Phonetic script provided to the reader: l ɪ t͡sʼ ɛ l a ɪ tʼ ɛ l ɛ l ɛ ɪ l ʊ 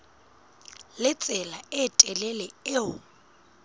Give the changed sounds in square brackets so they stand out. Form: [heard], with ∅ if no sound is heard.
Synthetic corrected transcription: l ɪ t͡sʼ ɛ l a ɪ tʼ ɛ l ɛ l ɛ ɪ [∅] ʊ

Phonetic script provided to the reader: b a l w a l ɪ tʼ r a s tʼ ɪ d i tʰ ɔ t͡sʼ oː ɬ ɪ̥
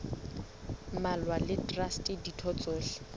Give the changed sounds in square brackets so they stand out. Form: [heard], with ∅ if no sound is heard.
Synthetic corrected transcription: [m] a l w a l ɪ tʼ r a s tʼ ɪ d i tʰ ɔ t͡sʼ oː ɬ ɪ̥

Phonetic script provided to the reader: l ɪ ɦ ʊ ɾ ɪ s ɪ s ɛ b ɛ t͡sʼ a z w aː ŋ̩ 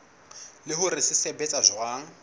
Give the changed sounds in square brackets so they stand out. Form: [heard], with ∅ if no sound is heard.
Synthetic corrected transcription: l ɪ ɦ ʊ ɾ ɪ s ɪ s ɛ b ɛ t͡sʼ a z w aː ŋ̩

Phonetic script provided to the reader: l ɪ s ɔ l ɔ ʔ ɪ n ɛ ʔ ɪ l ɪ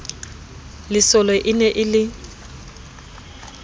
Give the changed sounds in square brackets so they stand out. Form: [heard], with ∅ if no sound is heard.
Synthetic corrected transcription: l ɪ s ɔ l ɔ ʔ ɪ n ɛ ʔ ɪ l ɪ

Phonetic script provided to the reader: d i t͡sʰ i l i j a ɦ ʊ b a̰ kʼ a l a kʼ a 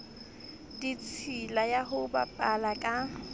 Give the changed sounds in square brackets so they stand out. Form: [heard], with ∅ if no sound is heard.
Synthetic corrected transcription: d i t͡sʰ i l [a] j a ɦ ʊ b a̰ [pʼ] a l a kʼ a

